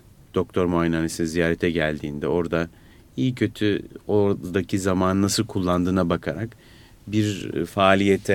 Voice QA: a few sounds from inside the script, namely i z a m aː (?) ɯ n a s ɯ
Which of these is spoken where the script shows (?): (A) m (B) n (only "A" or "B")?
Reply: B